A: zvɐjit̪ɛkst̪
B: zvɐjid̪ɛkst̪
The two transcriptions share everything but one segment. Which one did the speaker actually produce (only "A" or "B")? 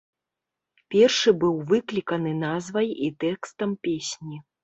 A